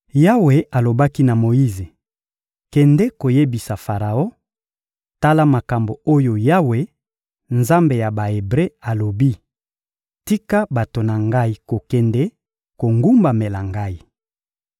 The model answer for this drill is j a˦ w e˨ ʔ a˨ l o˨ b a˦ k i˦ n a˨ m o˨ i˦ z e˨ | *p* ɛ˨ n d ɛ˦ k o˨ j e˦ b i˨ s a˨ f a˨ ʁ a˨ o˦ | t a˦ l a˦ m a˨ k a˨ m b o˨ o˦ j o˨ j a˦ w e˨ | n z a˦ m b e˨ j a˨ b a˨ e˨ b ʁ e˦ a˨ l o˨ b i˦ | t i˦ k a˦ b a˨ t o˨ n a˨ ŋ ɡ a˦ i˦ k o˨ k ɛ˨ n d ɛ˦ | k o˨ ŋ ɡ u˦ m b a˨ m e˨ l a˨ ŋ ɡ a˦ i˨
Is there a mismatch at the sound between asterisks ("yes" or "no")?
yes